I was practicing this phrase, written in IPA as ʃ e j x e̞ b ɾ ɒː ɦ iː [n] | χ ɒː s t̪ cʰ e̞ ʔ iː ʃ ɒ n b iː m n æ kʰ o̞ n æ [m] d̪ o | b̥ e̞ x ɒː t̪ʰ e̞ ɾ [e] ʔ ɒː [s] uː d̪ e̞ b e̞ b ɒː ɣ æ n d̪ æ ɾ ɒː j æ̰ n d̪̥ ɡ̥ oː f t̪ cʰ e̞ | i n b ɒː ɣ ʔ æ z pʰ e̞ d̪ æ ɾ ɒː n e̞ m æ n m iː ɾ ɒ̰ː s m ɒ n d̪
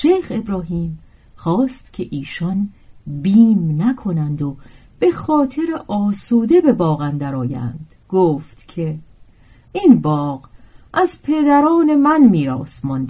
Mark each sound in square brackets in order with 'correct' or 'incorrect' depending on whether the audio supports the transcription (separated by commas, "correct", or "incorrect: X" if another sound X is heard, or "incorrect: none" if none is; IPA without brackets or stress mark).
incorrect: m, incorrect: n, correct, correct